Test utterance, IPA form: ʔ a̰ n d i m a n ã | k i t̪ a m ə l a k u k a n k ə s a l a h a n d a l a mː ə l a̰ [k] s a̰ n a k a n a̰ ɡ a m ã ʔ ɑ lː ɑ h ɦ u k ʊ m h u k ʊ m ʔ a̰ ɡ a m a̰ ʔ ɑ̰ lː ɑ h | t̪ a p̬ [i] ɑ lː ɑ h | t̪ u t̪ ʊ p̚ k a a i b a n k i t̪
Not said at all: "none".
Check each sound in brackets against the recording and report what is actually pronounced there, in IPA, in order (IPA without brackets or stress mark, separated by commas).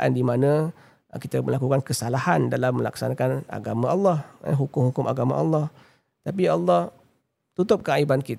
k, i